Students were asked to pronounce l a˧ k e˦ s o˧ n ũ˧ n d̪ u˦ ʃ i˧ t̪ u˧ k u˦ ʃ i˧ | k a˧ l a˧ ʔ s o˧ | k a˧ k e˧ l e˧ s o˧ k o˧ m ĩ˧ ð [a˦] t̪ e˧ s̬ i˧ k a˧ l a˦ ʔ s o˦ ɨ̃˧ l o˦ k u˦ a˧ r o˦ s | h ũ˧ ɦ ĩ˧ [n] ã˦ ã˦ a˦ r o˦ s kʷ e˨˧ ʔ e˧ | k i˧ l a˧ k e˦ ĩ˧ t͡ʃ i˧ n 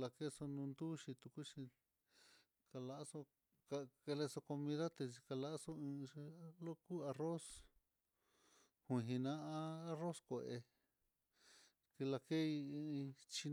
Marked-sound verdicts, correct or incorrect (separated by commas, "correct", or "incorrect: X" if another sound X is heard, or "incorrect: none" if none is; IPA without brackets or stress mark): correct, correct